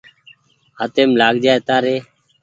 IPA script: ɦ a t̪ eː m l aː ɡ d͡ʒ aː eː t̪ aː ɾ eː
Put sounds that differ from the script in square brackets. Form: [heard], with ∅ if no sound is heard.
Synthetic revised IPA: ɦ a t̪ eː m l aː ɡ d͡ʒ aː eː t̪ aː ɾ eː